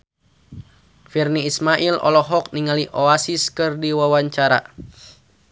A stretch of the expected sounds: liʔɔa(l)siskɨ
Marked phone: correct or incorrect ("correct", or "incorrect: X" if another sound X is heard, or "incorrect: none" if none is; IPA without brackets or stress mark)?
incorrect: none